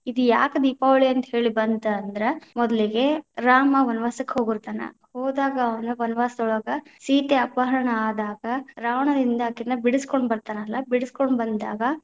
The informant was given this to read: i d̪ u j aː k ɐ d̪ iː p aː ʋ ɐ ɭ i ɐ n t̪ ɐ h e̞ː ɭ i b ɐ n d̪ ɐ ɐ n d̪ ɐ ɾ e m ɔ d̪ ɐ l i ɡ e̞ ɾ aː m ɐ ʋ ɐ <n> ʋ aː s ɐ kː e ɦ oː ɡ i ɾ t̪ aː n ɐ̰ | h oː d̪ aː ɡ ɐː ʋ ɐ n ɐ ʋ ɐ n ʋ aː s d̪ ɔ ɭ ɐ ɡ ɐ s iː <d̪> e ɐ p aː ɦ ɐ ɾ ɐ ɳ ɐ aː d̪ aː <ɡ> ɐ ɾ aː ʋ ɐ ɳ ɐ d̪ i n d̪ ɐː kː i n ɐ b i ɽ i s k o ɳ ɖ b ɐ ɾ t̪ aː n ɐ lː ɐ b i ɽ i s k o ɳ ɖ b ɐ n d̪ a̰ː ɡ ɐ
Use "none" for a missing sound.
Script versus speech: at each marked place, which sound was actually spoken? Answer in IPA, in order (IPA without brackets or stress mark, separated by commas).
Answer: n, t̪, ɡ